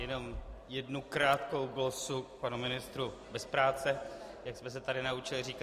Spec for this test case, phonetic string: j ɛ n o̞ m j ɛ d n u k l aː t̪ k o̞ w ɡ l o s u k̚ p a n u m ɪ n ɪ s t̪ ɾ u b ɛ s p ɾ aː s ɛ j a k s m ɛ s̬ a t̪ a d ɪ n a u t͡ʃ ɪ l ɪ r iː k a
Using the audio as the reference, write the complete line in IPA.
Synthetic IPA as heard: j ɛ n o̞ m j ɛ d n u k ɾ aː t̪ k o̞ w ɡ l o s u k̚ p a n u m ɪ n ɪ s t̪ ɾ u b ɛ s p ɾ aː t͡s ɛ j a k s m ɛ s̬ ɛ t̪ a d ɪ n a u t͡ʃ ɪ l ɪ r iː k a